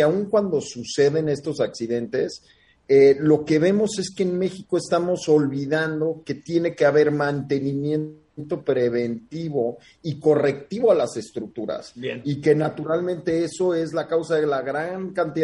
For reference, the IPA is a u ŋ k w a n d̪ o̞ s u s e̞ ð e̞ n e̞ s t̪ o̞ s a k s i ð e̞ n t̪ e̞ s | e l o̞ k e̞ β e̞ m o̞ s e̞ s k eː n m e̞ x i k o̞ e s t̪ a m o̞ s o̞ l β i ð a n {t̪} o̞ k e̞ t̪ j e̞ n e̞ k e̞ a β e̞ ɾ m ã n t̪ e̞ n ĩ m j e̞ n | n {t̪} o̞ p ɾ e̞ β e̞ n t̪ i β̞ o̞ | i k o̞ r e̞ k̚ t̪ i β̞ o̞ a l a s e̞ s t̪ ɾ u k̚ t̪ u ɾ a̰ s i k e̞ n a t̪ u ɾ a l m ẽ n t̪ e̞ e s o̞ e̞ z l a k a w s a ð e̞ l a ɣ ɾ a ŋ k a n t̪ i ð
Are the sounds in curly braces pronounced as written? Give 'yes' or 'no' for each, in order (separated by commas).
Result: no, yes